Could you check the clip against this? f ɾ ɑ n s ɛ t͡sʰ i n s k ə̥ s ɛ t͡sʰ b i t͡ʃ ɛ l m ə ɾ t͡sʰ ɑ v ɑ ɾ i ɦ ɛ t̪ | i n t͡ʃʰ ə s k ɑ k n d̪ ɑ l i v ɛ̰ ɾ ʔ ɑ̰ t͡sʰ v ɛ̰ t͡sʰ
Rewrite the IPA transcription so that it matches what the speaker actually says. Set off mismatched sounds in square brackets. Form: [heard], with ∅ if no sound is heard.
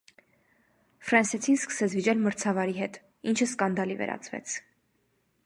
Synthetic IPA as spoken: f ɾ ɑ n s ɛ t͡sʰ i n s k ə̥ s ɛ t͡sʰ [v] i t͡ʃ ɛ l m ə ɾ t͡sʰ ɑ v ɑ ɾ i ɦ ɛ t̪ | i n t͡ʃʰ ə s k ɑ [∅] n d̪ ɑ l i v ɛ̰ ɾ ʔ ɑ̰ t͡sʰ v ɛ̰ t͡sʰ